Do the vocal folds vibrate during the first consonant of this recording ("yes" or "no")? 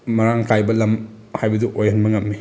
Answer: yes